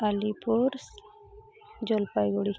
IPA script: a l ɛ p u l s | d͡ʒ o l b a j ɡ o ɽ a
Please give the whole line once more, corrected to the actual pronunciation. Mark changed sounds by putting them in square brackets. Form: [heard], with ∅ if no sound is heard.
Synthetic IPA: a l [i] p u [ɾ] s | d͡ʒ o l [p] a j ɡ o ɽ [i]